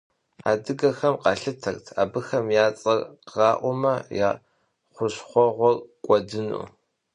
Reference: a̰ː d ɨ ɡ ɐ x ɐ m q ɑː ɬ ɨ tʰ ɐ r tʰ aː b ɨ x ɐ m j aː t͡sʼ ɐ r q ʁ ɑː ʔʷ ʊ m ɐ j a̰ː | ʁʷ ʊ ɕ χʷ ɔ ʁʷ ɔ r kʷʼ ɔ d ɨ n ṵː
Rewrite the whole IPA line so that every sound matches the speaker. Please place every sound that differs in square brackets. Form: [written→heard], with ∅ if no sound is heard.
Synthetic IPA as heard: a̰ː d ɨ ɡ ɐ x ɐ m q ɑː ɬ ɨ tʰ ɐ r tʰ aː b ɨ x ɐ m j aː t͡sʼ ɐ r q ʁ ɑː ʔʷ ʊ m ɐ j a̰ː | [ʁʷ→χʷ] ʊ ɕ χʷ ɔ ʁʷ ɔ r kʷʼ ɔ d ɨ n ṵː